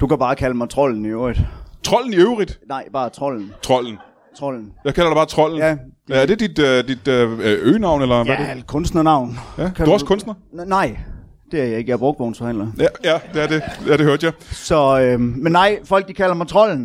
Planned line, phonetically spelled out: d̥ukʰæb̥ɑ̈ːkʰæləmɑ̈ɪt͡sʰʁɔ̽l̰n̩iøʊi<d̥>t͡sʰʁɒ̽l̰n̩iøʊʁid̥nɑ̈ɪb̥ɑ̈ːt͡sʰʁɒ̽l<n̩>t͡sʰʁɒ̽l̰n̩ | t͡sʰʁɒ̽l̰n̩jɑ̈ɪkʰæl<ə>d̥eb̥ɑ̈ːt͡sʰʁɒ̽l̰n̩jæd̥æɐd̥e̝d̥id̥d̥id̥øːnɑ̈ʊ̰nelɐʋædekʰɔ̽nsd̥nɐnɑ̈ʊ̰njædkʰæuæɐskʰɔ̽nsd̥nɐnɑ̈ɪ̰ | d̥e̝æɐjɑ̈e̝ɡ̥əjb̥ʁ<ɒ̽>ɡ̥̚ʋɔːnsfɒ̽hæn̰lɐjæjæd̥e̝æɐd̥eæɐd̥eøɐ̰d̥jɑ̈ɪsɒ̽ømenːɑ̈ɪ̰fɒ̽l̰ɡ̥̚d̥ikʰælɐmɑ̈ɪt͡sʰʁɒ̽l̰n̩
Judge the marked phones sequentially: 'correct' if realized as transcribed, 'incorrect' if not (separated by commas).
correct, correct, incorrect, incorrect